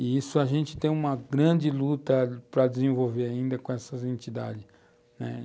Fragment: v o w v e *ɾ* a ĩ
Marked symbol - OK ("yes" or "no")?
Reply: yes